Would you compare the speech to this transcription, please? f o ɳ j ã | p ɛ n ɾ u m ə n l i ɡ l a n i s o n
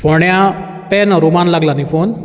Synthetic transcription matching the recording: f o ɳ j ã | p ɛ n ɾ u m a n l a ɡ l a n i f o n